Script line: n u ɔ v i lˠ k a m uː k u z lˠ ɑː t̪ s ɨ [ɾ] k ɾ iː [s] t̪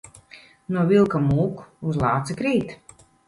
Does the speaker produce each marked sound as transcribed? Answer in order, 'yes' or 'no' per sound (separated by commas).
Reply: no, no